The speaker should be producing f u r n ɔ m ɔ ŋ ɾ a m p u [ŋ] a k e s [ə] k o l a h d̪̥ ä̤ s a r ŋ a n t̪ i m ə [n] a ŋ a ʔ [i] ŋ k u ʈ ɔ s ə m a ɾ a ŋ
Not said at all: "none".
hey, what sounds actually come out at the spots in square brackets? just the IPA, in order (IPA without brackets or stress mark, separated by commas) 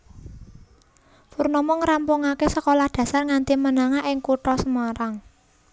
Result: ŋ, ə, n, ɪ